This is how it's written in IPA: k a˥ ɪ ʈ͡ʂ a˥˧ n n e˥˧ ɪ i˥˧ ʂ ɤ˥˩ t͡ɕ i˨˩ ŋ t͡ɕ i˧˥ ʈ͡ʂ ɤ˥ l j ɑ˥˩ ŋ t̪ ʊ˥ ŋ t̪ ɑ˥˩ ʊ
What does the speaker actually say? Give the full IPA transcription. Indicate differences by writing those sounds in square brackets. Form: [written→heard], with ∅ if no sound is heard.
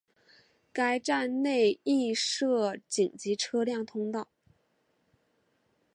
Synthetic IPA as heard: k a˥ ɪ ʈ͡ʂ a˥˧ n n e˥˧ ɪ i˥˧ ʂ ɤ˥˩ t͡ɕ i˨˩ ŋ t͡ɕ i˧˥ [ʈ͡ʂ→ʈ͡ʂʰ] ɤ˥ l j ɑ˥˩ ŋ [t̪→t̪ʰ] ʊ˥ ŋ t̪ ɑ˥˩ ʊ